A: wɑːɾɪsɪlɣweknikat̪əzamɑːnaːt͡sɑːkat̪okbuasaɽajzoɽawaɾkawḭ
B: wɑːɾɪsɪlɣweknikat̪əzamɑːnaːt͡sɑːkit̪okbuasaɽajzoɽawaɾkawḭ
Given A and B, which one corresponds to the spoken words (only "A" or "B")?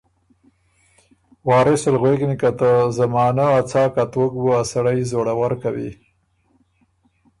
A